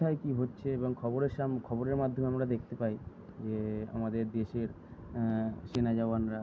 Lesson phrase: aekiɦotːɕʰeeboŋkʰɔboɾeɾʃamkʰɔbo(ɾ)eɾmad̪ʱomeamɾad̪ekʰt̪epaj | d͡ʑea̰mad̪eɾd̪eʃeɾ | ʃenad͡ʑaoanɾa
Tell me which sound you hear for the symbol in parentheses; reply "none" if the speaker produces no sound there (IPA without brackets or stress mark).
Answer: ɾ